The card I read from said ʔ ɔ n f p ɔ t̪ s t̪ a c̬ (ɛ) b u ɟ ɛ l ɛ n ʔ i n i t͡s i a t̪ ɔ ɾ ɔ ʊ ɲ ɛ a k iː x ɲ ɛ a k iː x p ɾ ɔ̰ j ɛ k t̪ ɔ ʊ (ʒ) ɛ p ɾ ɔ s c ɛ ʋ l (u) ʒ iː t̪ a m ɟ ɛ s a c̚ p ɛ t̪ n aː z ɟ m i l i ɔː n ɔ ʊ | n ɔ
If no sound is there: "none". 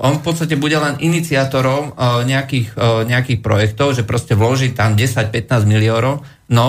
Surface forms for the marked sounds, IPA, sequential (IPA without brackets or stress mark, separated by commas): ɛ, ʒ, ɔ